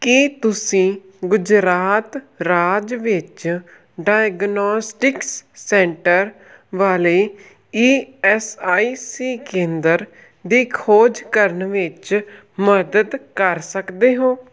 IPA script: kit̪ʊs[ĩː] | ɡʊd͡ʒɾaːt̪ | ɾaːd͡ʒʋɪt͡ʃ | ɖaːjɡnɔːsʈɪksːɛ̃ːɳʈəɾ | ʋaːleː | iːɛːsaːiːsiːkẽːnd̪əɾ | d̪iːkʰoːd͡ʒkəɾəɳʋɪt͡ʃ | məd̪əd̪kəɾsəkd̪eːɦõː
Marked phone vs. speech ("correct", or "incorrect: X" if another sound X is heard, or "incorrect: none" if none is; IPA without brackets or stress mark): correct